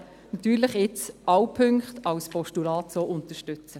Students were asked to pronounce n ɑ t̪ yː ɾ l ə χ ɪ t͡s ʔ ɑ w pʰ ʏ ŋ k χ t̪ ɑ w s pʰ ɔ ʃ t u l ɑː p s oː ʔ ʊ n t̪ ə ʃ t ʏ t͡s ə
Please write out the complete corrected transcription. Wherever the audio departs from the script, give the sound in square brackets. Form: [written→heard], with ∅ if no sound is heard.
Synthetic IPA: n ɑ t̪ yː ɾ l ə χ ɪ t͡s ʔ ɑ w pʰ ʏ ŋ k χ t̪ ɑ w s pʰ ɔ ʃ t u l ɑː [p→t] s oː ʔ ʊ n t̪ ə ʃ t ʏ t͡s ə